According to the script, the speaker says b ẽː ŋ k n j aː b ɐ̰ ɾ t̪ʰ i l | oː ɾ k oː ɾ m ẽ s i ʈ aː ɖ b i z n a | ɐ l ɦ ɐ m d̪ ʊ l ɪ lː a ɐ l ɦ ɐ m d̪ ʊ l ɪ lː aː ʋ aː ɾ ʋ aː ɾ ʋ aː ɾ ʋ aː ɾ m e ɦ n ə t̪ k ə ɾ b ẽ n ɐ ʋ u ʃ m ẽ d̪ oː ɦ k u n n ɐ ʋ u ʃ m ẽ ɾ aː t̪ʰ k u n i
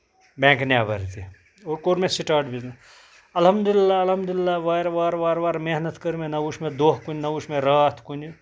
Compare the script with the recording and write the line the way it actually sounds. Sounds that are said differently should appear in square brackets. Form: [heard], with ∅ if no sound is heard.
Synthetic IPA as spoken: b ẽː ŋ k n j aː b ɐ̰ ɾ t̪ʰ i [∅] | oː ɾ k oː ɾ m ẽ s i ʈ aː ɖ b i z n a | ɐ l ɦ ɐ m d̪ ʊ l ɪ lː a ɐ l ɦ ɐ m d̪ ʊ l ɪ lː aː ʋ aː ɾ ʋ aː ɾ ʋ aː ɾ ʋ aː ɾ m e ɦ n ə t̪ k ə ɾ [m] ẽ n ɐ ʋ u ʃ m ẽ d̪ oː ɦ k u n n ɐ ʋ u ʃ m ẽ ɾ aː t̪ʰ k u n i